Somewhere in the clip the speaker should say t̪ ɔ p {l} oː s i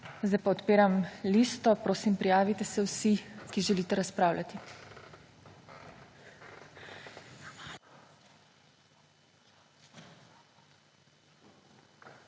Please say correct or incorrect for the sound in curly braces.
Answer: incorrect